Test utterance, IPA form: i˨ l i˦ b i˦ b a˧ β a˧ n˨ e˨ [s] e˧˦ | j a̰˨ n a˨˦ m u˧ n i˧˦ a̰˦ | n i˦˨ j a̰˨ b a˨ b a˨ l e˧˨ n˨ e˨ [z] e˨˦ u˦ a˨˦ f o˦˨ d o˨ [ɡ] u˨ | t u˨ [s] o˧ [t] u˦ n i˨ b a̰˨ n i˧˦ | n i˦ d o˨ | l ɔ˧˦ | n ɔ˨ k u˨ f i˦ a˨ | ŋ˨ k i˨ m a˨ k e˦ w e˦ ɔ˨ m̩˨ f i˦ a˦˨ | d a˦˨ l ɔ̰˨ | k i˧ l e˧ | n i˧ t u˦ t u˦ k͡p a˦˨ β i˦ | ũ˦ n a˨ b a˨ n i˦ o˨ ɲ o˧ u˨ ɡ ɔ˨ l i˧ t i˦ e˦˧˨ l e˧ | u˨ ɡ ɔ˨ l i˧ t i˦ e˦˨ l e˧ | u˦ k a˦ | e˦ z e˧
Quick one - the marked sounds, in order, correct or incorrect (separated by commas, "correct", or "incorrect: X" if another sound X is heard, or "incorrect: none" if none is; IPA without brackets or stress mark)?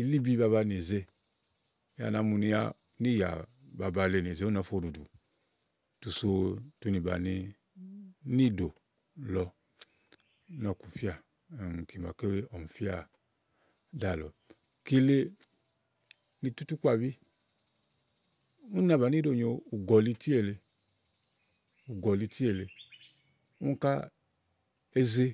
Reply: incorrect: z, correct, incorrect: d, correct, correct